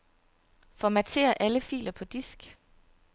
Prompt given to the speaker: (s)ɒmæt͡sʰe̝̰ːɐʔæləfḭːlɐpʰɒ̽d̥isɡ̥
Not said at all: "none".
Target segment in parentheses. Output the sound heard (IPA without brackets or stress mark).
f